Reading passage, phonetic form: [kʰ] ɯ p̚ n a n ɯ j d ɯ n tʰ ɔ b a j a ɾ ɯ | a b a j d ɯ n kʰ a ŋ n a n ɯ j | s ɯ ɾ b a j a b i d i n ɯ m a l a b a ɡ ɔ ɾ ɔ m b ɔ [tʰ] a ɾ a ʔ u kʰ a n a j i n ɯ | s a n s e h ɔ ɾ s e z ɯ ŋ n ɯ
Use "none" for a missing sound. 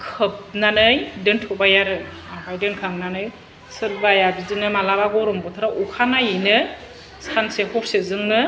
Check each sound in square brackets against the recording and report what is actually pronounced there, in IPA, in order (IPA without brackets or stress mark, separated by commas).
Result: kʰ, tʰ